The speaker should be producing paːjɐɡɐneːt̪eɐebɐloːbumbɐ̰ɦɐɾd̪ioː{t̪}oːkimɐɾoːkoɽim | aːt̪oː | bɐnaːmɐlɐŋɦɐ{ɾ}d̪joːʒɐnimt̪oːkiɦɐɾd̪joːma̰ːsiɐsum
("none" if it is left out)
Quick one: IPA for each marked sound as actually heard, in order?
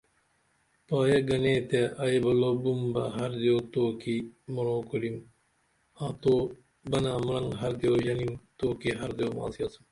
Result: t̪, ɾ

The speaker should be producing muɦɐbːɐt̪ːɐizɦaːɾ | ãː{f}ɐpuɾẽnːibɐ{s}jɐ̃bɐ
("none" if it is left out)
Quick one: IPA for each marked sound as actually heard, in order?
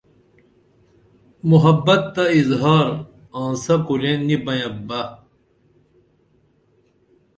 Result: s, none

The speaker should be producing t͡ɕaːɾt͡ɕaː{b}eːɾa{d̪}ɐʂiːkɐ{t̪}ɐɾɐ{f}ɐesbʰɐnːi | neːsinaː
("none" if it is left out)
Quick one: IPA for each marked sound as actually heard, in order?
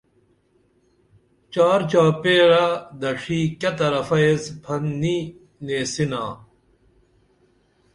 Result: p, d̪, t̪, f

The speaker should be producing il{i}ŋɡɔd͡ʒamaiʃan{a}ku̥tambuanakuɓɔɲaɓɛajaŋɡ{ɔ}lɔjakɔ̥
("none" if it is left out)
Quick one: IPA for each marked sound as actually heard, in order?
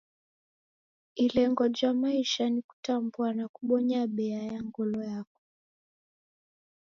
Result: ɛ, i, ɔ

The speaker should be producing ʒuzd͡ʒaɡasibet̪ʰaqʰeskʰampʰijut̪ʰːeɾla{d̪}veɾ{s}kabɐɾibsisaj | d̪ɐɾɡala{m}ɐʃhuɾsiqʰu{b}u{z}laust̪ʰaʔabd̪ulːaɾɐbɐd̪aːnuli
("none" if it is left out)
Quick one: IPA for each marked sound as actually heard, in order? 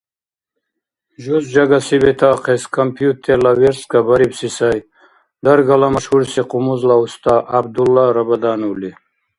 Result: none, s, m, m, z

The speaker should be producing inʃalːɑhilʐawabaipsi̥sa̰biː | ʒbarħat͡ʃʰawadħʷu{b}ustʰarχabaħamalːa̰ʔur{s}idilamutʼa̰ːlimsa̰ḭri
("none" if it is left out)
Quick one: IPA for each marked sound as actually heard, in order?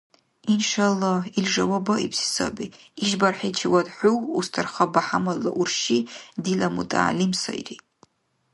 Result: w, ʃ

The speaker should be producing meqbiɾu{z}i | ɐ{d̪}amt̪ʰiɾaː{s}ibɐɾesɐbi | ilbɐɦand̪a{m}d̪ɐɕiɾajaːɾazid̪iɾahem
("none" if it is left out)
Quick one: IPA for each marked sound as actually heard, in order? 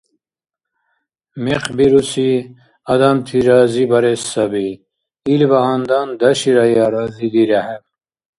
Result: s, d̪, z, n

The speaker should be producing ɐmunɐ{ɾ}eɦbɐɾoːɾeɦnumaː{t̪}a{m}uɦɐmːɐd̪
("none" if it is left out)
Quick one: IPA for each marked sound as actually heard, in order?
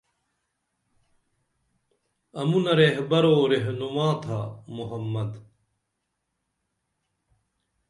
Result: ɾ, t̪ʰ, m

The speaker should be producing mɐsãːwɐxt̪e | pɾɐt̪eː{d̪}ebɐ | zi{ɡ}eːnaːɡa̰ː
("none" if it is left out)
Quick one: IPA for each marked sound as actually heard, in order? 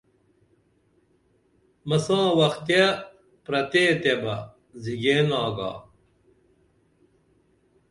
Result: t̪, ɡ

